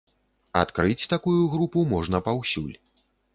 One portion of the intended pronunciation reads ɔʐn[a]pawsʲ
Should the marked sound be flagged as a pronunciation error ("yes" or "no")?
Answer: yes